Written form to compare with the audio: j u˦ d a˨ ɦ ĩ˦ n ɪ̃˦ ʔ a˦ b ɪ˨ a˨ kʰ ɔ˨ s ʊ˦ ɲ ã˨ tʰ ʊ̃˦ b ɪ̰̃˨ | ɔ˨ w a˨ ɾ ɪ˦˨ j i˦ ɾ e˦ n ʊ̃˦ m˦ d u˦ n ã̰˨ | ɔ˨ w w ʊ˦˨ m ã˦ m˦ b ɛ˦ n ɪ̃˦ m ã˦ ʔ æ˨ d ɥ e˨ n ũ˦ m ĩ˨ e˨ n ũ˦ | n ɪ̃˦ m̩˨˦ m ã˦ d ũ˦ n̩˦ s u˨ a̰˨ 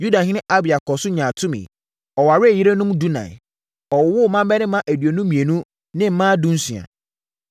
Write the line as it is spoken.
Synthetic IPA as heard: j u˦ d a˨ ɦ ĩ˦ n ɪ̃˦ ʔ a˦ b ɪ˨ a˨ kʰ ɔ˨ s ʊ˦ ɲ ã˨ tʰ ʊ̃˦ m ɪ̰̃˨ | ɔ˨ w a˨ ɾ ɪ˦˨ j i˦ ɾ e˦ n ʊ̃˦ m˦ d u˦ n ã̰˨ | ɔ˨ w w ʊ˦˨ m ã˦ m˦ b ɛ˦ n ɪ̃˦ m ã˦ ʔ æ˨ d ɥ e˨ n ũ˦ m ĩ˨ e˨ n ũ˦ | n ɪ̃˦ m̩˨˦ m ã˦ d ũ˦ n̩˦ s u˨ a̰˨